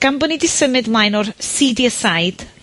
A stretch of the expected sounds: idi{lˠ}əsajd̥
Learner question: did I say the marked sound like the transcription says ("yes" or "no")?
no